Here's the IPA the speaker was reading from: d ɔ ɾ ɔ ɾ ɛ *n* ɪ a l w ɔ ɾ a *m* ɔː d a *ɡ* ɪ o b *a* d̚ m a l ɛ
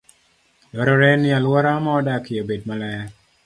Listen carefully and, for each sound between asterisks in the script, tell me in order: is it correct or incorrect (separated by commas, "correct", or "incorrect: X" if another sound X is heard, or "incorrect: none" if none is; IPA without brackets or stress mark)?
correct, correct, incorrect: k, incorrect: e